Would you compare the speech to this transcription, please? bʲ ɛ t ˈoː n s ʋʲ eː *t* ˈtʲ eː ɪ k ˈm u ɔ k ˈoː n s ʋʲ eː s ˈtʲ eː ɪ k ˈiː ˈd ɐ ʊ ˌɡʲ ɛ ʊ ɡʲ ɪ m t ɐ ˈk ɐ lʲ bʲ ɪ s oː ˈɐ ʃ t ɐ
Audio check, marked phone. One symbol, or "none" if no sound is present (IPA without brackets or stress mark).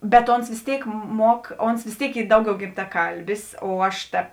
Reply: s